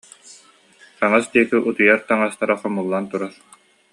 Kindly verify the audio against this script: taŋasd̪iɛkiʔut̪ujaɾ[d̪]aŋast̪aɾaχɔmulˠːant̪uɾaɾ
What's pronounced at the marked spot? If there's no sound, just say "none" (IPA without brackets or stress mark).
t̪